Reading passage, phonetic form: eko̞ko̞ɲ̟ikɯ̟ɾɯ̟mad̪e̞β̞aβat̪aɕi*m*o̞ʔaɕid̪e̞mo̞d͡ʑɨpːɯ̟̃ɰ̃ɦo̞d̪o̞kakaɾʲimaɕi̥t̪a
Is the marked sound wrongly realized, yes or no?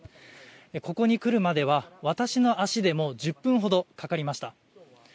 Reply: yes